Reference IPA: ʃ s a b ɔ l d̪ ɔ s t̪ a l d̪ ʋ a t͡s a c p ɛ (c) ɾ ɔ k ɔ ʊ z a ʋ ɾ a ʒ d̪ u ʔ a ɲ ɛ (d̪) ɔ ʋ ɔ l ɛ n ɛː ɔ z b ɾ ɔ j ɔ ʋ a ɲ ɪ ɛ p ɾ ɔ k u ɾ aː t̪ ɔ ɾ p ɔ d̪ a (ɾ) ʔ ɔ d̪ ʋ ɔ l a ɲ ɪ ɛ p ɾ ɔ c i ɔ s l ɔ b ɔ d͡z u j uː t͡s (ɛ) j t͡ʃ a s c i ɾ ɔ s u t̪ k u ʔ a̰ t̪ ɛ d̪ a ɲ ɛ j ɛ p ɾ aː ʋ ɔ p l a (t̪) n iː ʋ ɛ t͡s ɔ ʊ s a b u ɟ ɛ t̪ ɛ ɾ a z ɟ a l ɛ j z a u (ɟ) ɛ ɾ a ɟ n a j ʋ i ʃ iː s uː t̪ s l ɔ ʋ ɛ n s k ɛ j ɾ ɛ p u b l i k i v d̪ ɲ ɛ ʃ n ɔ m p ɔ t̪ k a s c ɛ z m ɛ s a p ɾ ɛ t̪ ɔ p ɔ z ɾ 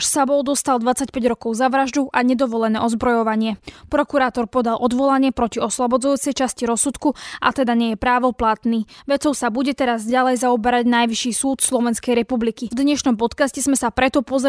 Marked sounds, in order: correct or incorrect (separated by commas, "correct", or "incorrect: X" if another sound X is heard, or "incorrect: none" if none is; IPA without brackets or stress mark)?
incorrect: ɟ, correct, incorrect: l, correct, correct, incorrect: b